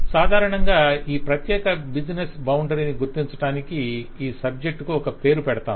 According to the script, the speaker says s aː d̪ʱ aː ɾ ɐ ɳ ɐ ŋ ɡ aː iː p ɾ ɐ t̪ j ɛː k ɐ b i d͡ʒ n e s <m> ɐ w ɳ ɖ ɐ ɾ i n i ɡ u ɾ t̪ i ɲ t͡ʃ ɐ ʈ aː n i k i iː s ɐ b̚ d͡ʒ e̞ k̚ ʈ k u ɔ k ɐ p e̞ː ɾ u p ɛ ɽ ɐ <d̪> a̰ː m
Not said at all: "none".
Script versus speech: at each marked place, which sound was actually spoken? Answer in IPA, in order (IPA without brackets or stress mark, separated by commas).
b, t̪